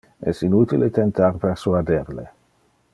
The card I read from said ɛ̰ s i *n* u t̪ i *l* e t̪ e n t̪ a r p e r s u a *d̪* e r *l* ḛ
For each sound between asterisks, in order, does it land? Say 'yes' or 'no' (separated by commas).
yes, yes, yes, yes